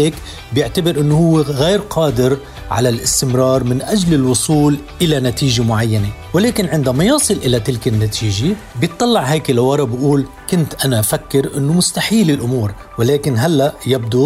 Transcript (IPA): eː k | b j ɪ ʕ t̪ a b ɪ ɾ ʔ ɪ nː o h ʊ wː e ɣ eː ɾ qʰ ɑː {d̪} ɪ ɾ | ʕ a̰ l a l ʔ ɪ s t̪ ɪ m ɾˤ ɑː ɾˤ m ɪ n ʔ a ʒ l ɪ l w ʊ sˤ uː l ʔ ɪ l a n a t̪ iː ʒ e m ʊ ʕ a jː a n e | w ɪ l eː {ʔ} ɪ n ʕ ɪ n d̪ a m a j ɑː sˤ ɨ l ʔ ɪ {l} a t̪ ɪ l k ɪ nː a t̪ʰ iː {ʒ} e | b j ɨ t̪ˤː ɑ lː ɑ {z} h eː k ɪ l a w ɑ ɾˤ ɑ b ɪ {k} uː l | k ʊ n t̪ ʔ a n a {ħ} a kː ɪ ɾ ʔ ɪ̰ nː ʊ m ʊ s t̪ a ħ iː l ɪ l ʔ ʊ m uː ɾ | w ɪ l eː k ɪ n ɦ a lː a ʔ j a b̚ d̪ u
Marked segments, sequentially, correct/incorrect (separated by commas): correct, incorrect, correct, correct, incorrect, incorrect, incorrect